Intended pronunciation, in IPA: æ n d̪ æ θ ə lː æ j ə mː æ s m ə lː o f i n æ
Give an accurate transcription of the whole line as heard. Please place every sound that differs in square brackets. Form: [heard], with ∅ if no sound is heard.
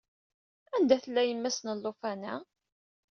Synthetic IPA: æ n d̪ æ θ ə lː æ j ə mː æ s [n] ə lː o f [æ] n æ